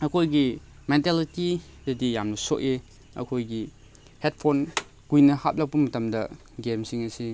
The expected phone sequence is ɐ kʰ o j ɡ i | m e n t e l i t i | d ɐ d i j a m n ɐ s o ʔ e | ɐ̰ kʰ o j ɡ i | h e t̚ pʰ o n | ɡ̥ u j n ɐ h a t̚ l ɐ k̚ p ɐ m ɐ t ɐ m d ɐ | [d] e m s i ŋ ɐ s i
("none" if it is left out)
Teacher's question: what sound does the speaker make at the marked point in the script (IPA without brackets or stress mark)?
ɡ